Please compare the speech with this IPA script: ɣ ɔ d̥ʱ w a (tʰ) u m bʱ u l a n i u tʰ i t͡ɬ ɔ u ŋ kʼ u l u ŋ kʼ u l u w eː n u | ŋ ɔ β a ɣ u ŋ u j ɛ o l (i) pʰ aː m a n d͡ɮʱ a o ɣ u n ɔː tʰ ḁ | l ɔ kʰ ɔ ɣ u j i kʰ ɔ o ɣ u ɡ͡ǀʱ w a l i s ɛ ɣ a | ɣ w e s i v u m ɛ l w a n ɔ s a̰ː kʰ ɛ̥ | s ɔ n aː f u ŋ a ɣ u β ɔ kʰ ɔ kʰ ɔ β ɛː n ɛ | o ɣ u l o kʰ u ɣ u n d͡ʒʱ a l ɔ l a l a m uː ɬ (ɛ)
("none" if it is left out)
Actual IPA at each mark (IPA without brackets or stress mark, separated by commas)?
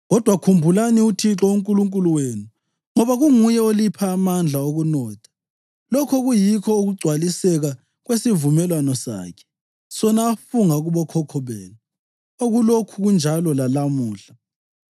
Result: kʰ, i, a